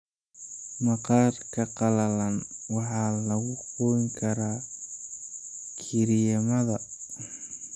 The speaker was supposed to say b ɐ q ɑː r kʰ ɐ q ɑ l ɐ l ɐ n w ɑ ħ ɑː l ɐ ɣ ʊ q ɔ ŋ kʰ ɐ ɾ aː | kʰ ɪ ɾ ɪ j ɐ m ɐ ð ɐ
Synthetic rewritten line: m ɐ q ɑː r kʰ ɐ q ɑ l ɐ l ɐ n w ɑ ħ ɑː l ɐ ɣ ʊ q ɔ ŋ kʰ ɐ ɾ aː | kʰ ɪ ɾ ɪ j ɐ m ɐ ð ɐ